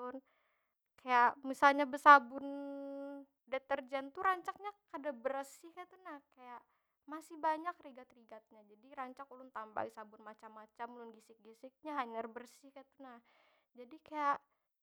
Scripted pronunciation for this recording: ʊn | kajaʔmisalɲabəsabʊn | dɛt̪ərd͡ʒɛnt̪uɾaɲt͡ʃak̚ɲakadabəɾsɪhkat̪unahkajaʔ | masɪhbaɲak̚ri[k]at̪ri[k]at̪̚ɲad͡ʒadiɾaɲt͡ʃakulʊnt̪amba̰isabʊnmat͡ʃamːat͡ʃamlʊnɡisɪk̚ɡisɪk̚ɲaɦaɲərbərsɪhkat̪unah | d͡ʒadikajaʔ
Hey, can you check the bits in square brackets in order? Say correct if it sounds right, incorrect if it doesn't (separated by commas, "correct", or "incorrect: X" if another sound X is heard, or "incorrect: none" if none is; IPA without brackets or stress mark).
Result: incorrect: ɡ, incorrect: ɡ